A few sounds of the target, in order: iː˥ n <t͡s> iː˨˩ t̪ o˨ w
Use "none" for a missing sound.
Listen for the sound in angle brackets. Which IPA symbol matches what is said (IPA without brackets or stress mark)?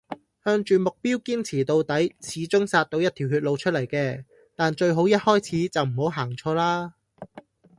t͡sʰ